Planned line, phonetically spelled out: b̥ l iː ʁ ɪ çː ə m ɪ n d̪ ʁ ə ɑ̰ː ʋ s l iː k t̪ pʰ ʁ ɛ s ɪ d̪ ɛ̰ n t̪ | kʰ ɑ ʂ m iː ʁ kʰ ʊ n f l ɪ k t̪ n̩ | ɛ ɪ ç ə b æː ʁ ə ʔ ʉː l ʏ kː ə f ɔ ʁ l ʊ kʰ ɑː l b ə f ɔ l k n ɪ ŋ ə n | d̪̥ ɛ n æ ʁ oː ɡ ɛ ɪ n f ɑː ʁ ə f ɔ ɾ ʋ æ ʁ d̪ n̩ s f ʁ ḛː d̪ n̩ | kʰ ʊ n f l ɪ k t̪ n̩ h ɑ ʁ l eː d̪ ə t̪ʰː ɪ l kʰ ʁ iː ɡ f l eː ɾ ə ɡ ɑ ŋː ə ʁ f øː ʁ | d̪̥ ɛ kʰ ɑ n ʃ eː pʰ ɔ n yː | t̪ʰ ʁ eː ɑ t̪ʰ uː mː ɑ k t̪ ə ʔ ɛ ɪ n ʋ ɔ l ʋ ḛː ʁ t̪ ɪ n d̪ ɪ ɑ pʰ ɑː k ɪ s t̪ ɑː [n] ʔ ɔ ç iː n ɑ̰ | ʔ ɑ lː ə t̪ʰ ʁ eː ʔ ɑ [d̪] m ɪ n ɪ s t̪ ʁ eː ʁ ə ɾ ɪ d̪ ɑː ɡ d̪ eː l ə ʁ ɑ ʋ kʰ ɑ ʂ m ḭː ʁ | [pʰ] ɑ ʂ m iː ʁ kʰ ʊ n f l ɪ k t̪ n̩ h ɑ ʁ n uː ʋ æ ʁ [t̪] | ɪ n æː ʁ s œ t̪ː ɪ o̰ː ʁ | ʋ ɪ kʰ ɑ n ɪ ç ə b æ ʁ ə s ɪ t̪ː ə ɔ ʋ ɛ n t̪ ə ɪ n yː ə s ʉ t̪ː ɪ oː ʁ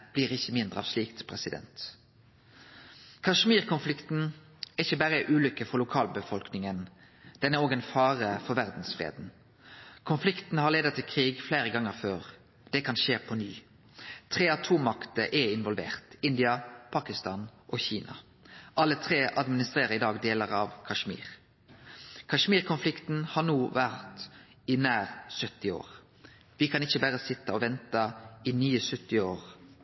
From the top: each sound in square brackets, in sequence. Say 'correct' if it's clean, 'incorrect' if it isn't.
correct, correct, incorrect, correct

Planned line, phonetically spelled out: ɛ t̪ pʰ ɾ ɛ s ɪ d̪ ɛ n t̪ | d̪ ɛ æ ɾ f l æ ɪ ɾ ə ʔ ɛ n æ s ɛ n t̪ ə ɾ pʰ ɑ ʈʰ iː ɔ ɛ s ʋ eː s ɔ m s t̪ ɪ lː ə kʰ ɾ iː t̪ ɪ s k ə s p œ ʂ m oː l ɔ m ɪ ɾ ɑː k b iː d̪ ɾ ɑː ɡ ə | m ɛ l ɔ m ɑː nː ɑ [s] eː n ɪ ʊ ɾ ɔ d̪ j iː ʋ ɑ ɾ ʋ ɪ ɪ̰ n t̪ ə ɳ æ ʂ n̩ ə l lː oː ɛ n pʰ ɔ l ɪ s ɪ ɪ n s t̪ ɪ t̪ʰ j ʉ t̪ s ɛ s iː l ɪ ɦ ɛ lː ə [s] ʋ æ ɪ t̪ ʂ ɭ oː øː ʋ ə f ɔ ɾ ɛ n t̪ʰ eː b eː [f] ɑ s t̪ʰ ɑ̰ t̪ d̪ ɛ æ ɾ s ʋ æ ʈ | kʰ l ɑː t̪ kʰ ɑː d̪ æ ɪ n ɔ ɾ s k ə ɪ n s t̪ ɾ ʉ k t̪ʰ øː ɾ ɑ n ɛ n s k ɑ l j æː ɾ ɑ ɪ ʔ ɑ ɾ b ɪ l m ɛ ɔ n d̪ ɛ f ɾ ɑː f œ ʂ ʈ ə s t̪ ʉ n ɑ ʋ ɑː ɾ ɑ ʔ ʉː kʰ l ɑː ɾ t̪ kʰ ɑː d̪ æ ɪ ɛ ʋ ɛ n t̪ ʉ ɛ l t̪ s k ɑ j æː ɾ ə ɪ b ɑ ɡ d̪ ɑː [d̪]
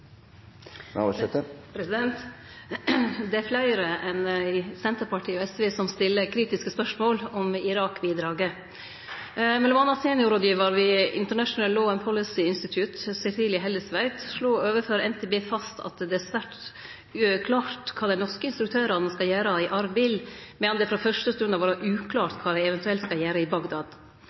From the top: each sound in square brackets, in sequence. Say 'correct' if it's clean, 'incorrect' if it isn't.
correct, correct, correct, correct

